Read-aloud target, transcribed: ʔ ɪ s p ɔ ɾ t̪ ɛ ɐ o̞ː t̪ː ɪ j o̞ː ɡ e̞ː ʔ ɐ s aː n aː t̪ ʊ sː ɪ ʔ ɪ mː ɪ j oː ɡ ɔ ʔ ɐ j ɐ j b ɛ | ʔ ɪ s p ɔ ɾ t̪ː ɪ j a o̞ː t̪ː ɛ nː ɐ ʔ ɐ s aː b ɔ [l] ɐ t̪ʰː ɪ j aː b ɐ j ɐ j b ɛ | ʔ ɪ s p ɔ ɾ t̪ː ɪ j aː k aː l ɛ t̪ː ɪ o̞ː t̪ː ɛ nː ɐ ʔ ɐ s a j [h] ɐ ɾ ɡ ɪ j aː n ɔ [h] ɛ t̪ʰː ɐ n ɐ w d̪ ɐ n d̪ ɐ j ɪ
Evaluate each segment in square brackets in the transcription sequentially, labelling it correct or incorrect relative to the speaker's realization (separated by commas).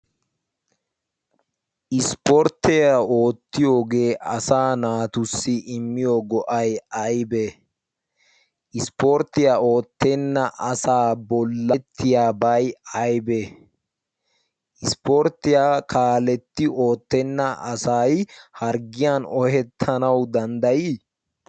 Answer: incorrect, correct, correct